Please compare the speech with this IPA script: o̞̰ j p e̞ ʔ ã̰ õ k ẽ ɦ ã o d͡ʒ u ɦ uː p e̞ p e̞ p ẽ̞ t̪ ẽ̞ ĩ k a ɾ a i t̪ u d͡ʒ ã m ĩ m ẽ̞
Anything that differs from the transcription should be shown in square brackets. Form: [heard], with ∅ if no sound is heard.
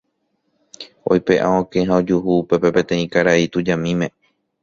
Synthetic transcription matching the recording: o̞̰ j p e̞ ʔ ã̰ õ k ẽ ɦ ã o d͡ʒ u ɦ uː p e̞ p e̞ p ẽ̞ t̪ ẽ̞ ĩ k a ɾ a i t̪ u d͡ʒ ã m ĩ m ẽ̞